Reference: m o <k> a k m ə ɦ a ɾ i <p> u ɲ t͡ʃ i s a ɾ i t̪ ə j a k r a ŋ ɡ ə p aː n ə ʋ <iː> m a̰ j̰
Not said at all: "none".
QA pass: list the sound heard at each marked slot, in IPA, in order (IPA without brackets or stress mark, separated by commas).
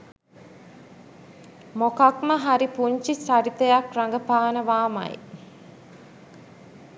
k, p, aː